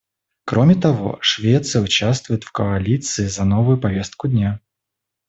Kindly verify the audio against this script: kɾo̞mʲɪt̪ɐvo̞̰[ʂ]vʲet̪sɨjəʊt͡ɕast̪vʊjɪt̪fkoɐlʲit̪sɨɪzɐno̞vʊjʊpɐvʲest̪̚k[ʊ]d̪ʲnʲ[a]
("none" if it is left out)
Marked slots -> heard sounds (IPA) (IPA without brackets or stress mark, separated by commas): ʂ, ʊ, a